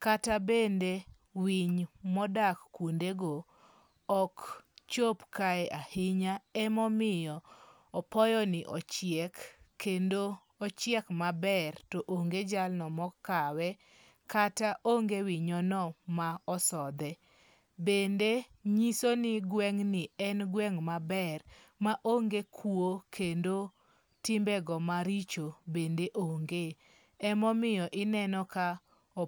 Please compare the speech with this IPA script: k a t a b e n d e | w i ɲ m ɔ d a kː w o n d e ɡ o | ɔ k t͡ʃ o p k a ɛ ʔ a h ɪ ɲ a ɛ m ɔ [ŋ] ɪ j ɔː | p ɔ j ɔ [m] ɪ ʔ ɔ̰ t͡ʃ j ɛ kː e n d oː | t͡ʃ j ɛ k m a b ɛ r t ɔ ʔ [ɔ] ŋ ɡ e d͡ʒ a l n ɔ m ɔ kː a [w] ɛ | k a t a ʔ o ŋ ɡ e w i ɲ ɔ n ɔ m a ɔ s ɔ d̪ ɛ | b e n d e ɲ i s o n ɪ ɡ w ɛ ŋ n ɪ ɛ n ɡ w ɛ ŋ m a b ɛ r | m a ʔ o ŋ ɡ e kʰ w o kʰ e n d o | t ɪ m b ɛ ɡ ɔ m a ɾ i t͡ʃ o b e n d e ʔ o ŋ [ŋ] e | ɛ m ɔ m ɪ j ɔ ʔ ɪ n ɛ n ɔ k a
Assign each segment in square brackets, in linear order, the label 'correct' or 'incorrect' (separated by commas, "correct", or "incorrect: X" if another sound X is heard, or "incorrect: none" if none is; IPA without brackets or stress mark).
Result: incorrect: m, incorrect: n, incorrect: o, correct, incorrect: ɡ